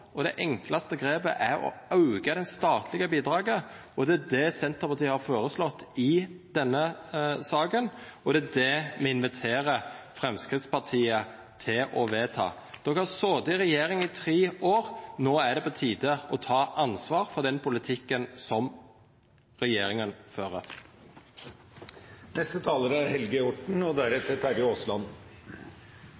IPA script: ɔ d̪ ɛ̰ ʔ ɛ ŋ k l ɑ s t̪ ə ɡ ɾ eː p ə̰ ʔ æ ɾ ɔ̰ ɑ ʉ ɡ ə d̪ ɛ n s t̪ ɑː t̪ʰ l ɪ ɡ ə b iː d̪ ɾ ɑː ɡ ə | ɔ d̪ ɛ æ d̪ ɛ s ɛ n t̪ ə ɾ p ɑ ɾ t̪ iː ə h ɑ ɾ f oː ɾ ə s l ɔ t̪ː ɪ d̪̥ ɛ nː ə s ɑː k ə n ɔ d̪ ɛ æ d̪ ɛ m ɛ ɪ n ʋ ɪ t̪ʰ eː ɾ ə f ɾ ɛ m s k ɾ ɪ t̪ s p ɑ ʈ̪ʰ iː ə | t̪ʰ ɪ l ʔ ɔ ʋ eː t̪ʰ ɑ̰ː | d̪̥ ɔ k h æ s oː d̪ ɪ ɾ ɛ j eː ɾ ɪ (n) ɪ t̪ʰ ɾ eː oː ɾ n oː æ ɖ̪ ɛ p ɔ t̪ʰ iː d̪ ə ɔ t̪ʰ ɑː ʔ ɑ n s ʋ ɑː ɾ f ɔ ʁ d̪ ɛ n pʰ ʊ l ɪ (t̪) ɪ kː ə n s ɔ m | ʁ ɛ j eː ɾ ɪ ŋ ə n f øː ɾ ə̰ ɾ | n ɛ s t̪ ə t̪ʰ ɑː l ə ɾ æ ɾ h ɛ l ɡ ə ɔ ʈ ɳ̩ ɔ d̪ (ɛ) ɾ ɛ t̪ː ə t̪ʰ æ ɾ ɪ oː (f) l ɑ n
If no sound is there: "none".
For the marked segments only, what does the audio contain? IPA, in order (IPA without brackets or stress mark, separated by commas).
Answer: ŋ, t̪ʰ, æ, s